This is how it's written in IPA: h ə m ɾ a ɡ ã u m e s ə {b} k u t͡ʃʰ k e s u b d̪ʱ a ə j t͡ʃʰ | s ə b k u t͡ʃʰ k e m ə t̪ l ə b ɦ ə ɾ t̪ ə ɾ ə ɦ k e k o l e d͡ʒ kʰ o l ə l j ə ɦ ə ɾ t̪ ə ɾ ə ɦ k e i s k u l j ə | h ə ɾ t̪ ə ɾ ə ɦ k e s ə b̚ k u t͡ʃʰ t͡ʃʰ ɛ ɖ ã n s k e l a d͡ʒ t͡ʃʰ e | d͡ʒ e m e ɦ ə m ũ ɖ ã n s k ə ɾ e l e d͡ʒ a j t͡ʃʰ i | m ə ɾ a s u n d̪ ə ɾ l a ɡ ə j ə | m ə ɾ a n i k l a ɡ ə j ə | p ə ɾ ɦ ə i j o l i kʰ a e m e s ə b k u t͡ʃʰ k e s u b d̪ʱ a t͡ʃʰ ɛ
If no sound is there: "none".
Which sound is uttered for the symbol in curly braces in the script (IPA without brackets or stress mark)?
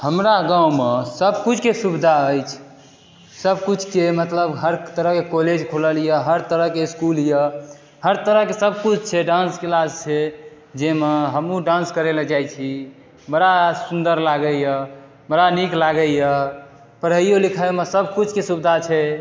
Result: b